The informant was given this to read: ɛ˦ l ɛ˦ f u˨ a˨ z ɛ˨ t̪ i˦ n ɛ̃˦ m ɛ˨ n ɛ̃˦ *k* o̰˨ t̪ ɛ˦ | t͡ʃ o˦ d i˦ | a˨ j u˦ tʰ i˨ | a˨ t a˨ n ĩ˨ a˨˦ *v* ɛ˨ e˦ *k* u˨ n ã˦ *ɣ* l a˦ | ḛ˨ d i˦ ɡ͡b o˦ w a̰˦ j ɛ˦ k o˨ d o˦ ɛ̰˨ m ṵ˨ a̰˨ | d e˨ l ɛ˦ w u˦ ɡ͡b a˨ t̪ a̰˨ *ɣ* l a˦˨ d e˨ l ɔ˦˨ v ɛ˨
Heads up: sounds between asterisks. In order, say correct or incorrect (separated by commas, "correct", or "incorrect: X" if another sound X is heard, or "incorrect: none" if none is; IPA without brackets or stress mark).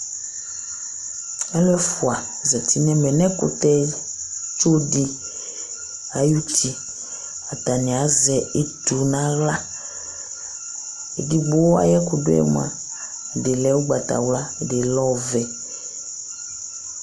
correct, incorrect: z, incorrect: t, correct, incorrect: w